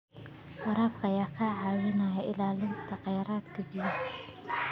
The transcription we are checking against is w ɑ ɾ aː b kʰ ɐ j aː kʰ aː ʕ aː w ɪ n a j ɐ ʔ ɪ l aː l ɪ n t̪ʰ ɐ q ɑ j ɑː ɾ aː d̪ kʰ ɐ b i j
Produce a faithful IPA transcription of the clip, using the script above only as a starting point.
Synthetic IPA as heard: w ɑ ɾ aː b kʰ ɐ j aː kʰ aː ʕ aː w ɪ n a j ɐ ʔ ɪ l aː l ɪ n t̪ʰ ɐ q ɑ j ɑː ɾ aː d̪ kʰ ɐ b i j